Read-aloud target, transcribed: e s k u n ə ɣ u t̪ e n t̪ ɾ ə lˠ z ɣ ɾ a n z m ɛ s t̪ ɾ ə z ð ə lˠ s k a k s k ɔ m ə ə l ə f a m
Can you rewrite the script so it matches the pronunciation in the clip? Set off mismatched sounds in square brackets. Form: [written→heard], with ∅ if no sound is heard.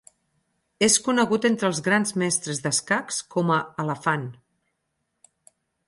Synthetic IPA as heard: e s k u n ə ɣ u t̪ e n t̪ ɾ ə lˠ z ɣ ɾ a n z m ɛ s t̪ ɾ ə z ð ə [lˠ→∅] s k a k s k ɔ m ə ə l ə f a [m→n]